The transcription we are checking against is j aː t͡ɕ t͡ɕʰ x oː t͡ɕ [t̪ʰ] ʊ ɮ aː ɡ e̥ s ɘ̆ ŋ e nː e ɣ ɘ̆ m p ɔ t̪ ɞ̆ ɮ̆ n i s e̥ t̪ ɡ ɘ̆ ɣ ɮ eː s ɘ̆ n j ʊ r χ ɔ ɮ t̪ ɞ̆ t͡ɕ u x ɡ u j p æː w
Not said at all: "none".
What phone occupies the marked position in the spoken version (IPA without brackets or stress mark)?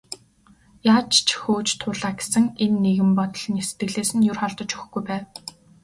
t̪ʰ